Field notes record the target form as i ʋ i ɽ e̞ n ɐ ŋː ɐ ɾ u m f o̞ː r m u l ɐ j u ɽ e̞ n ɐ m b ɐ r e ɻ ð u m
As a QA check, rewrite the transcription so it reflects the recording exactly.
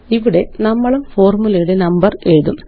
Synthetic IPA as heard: i ʋ i ɽ e̞ n ɐ mː ɐ ɭ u m f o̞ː r m u l ɐ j u ɽ e̞ n ɐ m b ɐ r e ɻ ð u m

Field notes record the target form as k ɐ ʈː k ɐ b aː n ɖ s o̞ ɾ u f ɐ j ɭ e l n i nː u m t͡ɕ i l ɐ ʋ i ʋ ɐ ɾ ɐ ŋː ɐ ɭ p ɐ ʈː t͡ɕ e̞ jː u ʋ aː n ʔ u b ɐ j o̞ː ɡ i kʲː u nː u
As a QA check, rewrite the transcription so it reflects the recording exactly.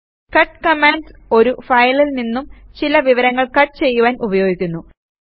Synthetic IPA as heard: k ɐ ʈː k ɐ m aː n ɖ s o̞ ɾ u f ɐ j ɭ i l n i nː u m t͡ɕ i l ɐ ʋ i ʋ ɐ ɾ ɐ ŋː ɐ ɭ k ɐ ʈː t͡ɕ e̞ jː u ʋ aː n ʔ u b ɐ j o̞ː ɡ i kʲː u nː u

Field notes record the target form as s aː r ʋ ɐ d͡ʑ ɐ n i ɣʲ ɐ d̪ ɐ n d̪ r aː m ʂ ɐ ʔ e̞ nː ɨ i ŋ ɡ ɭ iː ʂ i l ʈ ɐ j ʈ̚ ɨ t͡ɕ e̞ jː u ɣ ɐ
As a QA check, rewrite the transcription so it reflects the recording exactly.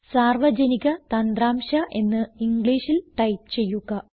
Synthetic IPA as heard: s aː r ʋ ɐ d͡ʑ ɐ n i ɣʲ ɐ t̪ ɐ n d̪ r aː m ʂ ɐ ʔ e̞ nː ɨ i ŋ ɡ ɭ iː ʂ i l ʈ ɐ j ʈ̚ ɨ t͡ɕ e̞ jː u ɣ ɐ

